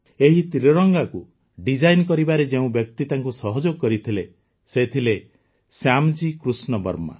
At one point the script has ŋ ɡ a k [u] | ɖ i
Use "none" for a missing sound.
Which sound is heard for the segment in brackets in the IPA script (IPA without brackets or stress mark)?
u